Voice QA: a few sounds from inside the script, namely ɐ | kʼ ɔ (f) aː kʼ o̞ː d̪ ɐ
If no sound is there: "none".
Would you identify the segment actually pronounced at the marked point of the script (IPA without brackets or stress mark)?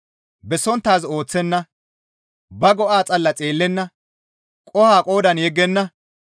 h